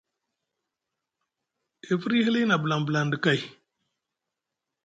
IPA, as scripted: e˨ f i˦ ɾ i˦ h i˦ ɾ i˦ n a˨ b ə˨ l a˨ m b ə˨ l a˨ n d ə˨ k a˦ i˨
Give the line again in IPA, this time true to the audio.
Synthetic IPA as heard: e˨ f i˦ ɾ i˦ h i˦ l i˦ n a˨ b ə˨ l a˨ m b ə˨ l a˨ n d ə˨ k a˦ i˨